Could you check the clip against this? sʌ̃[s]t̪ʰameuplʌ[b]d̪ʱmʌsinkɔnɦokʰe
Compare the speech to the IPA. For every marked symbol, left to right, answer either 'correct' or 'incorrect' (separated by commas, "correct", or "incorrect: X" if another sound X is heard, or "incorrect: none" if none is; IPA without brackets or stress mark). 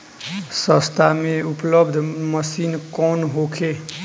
correct, correct